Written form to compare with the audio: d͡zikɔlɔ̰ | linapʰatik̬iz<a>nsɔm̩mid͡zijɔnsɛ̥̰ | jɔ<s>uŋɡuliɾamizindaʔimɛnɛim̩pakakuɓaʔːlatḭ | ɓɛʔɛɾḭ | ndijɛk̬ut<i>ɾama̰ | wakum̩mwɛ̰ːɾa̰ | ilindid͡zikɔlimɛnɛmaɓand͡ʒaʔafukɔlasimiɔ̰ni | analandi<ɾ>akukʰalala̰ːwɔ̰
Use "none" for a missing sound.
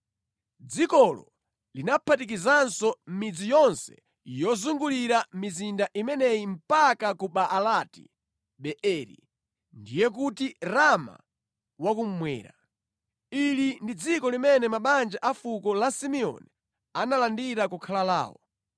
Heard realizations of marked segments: a, z, i, ɾ

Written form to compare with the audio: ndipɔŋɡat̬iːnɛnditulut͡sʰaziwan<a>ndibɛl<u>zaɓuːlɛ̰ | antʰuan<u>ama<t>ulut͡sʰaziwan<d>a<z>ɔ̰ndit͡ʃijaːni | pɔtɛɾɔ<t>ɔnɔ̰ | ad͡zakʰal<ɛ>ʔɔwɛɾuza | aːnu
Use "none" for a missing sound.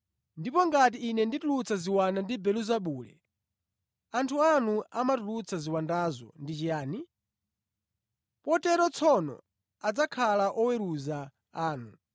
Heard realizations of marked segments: a, u, u, t, d, z, t͡sʰ, a

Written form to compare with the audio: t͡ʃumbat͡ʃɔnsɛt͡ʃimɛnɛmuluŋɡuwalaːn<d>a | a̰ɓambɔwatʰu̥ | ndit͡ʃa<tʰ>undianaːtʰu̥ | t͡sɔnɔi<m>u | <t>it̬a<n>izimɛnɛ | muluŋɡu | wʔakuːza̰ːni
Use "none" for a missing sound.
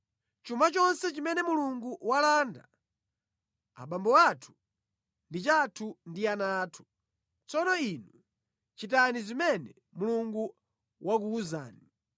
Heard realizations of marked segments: d, tʰ, n, t͡ʃ, n

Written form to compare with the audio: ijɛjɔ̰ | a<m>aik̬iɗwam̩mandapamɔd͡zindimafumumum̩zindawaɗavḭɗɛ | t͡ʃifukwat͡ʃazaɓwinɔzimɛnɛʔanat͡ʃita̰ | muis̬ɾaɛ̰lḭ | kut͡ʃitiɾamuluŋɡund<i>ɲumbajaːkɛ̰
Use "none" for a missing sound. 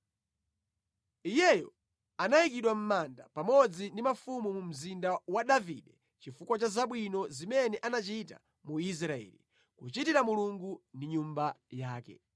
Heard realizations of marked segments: n, i

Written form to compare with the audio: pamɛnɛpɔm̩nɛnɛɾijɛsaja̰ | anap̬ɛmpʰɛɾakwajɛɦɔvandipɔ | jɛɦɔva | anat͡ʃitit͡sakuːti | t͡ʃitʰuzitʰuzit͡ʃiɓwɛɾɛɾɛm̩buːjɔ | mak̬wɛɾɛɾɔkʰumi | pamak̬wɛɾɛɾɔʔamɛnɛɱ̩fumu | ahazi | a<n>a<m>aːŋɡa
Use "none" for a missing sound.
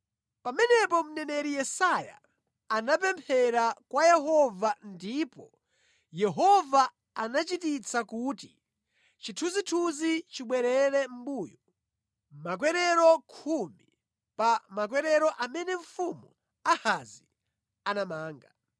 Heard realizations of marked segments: n, m

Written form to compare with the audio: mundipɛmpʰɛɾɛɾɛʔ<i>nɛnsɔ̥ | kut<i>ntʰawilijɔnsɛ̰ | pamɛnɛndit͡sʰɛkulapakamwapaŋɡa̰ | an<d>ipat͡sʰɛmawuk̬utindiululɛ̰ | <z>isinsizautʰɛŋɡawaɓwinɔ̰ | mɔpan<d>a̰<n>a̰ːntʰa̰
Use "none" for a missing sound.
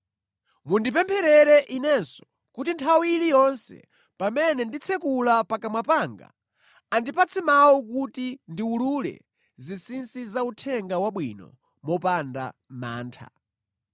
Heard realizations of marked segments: i, i, d, z, d, m

